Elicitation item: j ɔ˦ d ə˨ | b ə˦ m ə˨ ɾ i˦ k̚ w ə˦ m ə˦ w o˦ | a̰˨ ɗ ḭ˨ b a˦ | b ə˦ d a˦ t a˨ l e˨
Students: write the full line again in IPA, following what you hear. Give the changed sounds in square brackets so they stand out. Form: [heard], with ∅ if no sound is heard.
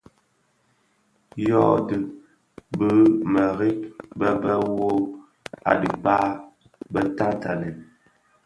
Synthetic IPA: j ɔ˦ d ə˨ | b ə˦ m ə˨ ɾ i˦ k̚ [b] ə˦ [b] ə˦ w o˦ | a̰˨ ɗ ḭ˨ b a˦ | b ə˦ [t] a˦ t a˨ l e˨